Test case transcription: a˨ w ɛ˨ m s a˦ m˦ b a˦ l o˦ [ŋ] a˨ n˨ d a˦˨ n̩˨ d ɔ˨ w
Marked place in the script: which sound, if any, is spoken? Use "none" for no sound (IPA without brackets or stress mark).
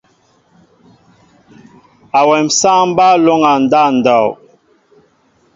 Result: ŋ